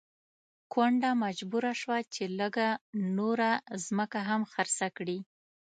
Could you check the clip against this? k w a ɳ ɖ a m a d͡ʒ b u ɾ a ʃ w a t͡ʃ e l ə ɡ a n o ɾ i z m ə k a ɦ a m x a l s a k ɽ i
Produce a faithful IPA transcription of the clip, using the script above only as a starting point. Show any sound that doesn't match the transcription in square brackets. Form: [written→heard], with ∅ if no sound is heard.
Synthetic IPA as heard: k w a ɳ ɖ a m a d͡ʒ b u ɾ a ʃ w a t͡ʃ e l ə ɡ a n o ɾ [i→a] z m ə k a ɦ a m x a [l→ɾ] s a k ɽ i

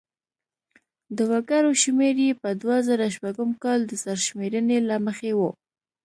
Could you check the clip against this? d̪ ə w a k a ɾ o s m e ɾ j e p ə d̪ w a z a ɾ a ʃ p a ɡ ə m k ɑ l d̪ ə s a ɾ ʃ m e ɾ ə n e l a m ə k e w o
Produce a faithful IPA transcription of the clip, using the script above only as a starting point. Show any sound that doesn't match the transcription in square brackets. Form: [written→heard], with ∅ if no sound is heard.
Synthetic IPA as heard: d̪ ə w a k a ɾ o [s→ʃ] m e ɾ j e p ə d̪ w a z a ɾ a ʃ p a ɡ ə m k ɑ l d̪ ə s a ɾ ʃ m e ɾ ə n e l a m ə [k→x] e w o

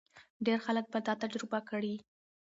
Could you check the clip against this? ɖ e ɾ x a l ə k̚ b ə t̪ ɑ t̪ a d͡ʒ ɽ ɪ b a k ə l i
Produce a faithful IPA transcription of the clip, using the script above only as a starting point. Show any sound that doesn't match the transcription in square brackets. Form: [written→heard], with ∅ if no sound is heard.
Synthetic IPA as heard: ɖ e ɾ x a l ə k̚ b ə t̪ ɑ t̪ a d͡ʒ [ɽ→ɾ] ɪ b a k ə [l→ɽ] i

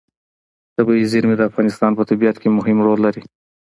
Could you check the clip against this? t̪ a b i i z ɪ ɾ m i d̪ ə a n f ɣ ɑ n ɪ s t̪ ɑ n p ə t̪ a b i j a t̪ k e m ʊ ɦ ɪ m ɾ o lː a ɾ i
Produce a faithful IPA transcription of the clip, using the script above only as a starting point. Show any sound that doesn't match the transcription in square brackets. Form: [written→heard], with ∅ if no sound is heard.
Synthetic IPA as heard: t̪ a b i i z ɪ ɾ m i d̪ ə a [n→∅] f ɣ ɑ n ɪ s t̪ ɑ n p ə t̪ a b i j a t̪ k e m ʊ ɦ ɪ m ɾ o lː a ɾ i

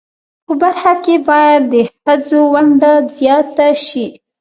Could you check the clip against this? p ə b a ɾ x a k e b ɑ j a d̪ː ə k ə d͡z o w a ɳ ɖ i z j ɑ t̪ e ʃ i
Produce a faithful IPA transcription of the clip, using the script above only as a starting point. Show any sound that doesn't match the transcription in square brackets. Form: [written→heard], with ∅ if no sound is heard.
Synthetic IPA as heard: p ə b a ɾ x a k e b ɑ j a d̪ː ə [k→x] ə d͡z o w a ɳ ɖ [i→a] z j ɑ t̪ [e→a] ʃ i

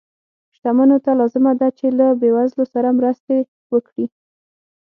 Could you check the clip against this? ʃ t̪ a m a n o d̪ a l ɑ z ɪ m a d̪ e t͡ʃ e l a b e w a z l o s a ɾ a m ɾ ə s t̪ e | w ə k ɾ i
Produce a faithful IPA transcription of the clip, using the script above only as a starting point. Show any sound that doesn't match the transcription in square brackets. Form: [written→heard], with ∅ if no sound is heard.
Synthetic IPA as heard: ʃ t̪ a m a n o [d̪→t̪] a l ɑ z ɪ m a d̪ [e→a] t͡ʃ e l a b e w a z l o s a ɾ a m ɾ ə s t̪ e | w ə k [ɾ→ɽ] i

